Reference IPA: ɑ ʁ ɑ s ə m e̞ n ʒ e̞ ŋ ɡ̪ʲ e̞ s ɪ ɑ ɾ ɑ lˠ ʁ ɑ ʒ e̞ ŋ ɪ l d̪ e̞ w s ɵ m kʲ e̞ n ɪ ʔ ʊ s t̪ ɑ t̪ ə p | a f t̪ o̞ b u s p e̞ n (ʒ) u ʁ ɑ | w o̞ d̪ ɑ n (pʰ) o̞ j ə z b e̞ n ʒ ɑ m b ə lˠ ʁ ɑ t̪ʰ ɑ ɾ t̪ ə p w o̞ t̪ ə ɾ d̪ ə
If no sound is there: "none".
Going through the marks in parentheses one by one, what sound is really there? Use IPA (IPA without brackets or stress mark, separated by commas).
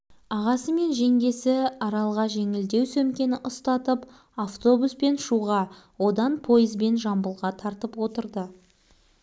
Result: ʃ, pʰ